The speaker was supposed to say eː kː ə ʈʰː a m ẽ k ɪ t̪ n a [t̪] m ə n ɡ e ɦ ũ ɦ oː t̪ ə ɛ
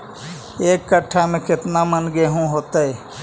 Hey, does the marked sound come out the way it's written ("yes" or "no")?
no